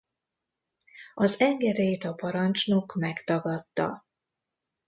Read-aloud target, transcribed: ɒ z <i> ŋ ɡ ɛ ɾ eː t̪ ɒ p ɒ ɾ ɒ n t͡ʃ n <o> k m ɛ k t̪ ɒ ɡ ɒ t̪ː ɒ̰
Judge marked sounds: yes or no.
no, yes

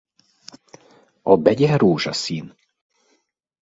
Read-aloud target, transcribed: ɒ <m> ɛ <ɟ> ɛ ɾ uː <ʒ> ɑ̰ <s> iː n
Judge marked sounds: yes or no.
no, yes, yes, yes

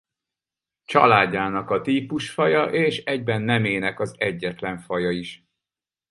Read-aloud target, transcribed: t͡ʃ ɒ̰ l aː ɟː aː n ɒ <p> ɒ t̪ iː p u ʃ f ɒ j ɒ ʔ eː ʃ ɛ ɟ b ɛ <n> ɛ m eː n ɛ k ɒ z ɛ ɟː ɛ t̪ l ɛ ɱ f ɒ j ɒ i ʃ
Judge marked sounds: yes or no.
no, no

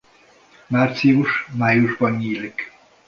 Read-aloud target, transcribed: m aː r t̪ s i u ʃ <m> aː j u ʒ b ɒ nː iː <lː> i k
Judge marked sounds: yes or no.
yes, no

